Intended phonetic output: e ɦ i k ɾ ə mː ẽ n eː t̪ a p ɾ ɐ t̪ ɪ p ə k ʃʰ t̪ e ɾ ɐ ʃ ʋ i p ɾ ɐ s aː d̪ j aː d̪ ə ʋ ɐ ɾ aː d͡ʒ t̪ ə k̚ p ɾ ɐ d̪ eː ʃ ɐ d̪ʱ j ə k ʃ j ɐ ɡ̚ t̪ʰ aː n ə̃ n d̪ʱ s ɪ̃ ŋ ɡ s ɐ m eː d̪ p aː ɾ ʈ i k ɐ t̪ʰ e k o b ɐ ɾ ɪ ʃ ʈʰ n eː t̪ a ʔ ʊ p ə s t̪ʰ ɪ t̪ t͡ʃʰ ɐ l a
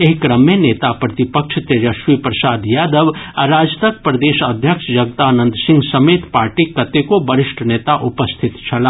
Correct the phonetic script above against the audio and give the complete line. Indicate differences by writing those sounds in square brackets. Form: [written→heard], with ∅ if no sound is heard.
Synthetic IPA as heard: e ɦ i k ɾ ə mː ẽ n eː t̪ a p ɾ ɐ t̪ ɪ p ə k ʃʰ t̪ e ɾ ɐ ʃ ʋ i p ɾ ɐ s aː d̪ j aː d̪ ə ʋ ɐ ɾ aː d͡ʒ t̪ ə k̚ p ɾ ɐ d̪ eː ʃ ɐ d̪ʱ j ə k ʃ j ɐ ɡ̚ [t̪ʰ→t̪] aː n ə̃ n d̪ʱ s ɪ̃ ŋ ɡ s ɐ m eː [d̪→t̪] p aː ɾ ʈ i k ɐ [t̪ʰ→t̪] e k o b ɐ ɾ ɪ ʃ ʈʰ n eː t̪ a ʔ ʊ p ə s t̪ʰ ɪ t̪ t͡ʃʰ ɐ l a